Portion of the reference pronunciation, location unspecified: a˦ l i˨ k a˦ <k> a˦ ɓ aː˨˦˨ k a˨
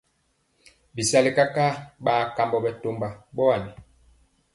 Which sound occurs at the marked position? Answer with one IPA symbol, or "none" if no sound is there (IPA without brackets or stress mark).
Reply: k